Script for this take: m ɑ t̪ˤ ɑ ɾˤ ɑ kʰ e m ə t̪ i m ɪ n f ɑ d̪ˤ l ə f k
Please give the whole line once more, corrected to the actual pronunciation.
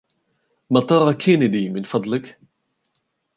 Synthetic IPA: m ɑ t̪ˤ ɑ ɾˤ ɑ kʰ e n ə d̪ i m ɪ n f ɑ d̪ˤ l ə k